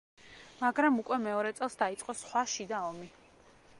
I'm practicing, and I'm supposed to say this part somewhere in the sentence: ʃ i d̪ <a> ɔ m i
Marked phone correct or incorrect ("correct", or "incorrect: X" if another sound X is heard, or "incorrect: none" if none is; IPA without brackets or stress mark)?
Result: correct